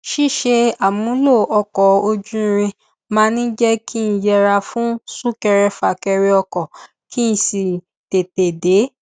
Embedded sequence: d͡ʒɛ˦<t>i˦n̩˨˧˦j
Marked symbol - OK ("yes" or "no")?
no